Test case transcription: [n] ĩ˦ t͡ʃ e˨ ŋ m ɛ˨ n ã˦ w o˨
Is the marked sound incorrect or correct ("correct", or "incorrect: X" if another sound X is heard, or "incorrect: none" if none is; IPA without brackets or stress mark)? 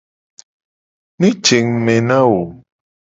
correct